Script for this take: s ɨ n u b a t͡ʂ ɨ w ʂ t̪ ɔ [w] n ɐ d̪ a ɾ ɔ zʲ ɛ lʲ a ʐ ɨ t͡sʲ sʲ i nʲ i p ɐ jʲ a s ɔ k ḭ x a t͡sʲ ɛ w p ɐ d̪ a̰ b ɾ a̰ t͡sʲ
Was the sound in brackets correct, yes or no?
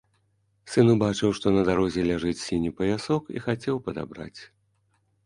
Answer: no